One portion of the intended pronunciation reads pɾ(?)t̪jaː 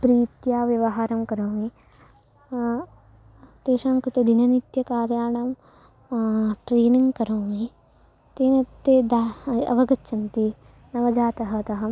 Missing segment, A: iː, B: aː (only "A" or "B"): A